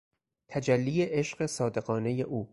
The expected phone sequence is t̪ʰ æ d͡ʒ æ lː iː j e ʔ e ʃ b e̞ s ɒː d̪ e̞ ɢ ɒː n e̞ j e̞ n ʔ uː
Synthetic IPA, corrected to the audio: t̪ʰ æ d͡ʒ æ lː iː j e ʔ e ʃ ɢ e̞ s ɒː d̪ e̞ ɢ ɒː n e̞ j e̞ ʔ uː